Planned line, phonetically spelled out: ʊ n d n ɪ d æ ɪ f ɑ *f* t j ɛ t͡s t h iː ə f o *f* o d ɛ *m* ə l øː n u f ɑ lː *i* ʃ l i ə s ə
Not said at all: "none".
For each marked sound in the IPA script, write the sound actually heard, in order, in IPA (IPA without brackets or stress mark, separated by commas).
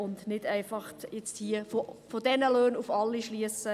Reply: χ, f, n, i